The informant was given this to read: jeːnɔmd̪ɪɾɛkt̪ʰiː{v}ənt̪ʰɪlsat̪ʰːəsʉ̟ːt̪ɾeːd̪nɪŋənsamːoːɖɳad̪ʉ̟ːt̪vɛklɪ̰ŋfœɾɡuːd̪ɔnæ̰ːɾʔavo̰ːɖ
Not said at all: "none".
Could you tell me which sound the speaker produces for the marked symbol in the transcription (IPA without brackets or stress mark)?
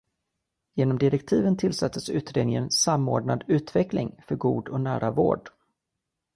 v